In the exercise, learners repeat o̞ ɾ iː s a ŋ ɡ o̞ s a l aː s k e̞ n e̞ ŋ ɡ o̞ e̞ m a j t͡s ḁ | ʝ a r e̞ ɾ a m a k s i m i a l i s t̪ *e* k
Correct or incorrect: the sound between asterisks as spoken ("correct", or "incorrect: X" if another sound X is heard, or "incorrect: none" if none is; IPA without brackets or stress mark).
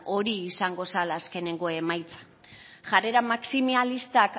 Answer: incorrect: a